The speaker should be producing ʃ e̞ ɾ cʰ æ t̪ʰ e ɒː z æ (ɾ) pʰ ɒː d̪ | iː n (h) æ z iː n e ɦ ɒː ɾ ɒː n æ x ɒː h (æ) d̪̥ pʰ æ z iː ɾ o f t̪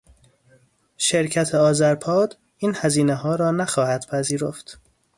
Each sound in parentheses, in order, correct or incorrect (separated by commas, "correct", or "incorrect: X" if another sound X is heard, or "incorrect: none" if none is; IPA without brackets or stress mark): correct, correct, correct